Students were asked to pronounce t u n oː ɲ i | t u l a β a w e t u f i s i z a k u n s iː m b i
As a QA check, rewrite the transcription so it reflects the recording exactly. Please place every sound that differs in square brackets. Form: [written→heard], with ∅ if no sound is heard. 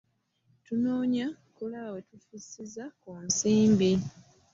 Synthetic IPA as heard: t u n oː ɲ [i→a] | [t→k] u l a β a w e t u f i s i z a k u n s iː m b i